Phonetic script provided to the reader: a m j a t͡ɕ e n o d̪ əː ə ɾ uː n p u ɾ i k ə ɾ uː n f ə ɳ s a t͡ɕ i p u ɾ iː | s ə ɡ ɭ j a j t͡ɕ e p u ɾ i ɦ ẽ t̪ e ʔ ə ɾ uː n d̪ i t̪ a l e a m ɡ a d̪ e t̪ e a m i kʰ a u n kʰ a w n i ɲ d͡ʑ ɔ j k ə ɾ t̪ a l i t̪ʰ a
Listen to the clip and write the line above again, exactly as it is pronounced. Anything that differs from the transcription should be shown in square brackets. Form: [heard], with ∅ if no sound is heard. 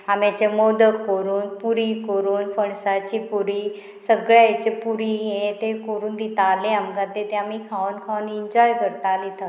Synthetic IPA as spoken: a m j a t͡ɕ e [m] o d̪ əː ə ɾ uː n p u ɾ i k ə ɾ uː n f ə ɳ s a t͡ɕ i p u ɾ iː | s ə ɡ ɭ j a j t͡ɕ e p u ɾ i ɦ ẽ t̪ e [k] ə ɾ uː n d̪ i t̪ a l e a m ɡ a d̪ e t̪ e a m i kʰ a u n kʰ a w n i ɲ d͡ʑ ɔ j k ə ɾ t̪ a l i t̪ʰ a